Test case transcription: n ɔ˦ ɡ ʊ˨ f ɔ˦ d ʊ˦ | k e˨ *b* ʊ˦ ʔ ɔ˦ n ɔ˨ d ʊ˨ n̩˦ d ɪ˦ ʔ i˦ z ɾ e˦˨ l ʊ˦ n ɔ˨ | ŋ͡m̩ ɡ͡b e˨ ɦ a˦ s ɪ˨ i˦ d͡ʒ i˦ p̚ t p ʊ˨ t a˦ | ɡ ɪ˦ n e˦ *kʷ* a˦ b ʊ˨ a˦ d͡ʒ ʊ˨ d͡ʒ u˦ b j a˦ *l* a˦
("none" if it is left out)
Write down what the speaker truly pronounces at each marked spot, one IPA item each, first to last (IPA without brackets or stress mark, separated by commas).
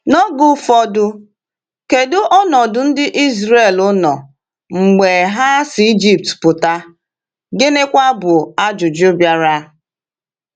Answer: d, kʷ, ɾ